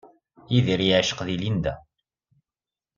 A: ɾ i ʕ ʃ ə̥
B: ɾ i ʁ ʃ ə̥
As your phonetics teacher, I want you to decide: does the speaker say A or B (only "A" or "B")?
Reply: A